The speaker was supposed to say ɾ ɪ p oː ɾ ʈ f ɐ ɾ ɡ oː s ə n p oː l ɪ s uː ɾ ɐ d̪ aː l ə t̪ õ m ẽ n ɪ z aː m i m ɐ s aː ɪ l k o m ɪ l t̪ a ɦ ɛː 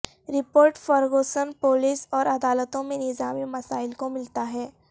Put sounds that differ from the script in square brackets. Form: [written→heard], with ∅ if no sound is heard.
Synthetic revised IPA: ɾ ɪ p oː ɾ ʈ f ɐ ɾ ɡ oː s ə n p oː l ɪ s [uː→ɔː] ɾ ɐ d̪ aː l ə t̪ õ m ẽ n ɪ z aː m i m ɐ s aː ɪ l k o m ɪ l t̪ a ɦ ɛː